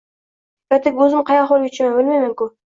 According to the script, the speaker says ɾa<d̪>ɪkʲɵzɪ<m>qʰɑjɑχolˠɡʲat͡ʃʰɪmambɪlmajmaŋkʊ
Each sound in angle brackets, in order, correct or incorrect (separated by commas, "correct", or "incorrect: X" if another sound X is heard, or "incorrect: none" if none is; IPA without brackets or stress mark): incorrect: t̪, correct